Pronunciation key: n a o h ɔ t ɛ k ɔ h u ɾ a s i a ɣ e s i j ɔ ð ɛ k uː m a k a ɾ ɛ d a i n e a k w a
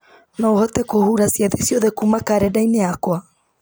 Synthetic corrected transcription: n a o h ɔ t ɛ k o h u ɾ a s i a ð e s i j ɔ ð ɛ k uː m a k a ɾ ɛ d a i n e a k w a